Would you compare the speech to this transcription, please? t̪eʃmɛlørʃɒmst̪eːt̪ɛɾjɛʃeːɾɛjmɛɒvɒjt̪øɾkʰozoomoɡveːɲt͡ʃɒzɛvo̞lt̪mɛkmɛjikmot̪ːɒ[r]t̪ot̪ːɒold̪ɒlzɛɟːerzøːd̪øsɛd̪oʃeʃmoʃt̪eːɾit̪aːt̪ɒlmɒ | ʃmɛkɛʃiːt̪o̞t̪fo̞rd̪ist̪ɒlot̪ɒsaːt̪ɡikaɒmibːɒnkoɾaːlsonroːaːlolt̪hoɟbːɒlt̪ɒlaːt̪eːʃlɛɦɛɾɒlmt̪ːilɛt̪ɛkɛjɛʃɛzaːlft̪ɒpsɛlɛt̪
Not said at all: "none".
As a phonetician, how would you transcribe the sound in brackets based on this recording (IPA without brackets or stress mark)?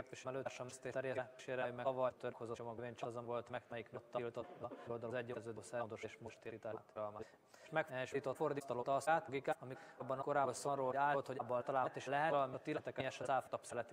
l